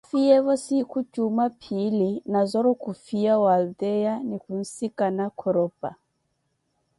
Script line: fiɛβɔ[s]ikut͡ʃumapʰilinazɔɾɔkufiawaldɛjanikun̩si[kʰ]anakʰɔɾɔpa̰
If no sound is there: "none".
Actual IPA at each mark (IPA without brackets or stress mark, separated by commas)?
s, k